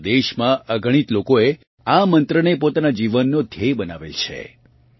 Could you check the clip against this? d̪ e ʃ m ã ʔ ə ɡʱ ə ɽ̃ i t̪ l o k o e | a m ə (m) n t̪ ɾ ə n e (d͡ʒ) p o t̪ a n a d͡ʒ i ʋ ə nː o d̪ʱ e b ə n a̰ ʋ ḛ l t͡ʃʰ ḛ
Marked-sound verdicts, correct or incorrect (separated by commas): incorrect, incorrect